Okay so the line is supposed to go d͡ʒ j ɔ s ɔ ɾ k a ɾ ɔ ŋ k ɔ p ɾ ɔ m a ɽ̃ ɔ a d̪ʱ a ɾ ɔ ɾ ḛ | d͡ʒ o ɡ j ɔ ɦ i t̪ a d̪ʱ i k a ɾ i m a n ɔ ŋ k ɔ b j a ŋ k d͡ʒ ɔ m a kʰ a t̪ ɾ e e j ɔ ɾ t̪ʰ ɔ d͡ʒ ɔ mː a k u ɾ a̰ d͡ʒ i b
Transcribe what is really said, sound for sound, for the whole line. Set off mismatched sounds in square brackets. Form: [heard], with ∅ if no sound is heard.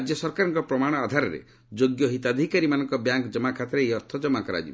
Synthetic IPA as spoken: d͡ʒ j ɔ s ɔ ɾ k a ɾ ɔ ŋ k ɔ p ɾ ɔ m a ɽ̃ ɔ a d̪ʱ a ɾ ɔ ɾ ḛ | d͡ʒ o ɡ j ɔ ɦ i t̪ a d̪ʱ i k a ɾ i m a n ɔ ŋ k ɔ b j a ŋ k d͡ʒ ɔ m a kʰ a t̪ ɾ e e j ɔ ɾ t̪ʰ ɔ d͡ʒ ɔ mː a k [ɔ] ɾ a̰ d͡ʒ i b